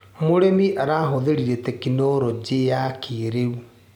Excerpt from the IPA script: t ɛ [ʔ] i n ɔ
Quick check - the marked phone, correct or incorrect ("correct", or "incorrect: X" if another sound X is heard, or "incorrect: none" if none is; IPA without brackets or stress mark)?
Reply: incorrect: k